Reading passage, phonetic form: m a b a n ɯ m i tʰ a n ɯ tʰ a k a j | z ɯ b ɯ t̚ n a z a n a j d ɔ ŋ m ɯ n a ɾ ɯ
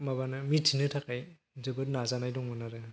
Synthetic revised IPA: m a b a n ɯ m i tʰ i n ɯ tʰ a k a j | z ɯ b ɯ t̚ n a z a n a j d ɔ ŋ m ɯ n a ɾ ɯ